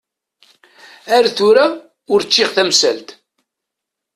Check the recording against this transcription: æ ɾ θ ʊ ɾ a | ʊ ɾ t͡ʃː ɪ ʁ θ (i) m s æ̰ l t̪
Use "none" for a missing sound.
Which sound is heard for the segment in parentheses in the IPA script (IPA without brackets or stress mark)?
æ